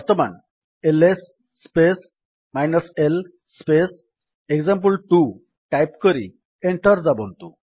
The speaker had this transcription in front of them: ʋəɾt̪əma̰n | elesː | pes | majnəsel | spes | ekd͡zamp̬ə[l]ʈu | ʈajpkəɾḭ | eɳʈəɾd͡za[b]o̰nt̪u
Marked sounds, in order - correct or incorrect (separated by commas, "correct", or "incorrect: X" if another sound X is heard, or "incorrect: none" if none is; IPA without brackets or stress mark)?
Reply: correct, correct